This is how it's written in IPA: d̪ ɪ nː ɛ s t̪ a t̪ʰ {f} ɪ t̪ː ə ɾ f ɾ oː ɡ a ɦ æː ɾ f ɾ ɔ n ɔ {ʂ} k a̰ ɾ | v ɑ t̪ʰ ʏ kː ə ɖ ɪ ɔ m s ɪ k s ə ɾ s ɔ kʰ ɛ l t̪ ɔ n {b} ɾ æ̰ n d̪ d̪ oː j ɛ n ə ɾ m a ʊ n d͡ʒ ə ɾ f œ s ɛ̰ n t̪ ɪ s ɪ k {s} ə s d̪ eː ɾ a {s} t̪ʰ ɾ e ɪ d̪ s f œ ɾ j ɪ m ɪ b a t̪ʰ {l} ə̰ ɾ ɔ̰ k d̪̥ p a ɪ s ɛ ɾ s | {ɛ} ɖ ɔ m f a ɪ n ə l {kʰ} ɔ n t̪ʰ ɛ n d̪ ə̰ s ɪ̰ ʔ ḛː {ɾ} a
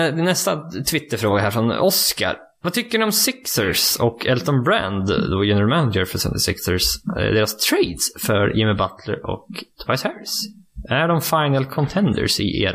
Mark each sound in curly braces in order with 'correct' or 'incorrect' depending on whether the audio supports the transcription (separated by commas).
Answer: incorrect, incorrect, correct, correct, correct, correct, incorrect, correct, correct